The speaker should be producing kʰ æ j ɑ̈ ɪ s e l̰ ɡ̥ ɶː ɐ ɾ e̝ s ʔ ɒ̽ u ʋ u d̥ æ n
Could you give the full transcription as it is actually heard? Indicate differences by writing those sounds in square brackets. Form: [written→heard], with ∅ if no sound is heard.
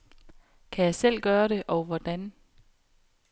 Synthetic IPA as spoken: kʰ æ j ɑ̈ ɪ s e l̰ ɡ̥ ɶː ɐ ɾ e̝ [s→∅] ʔ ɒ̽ [u→ʊ] ʋ [u→ɒ] d̥ æ n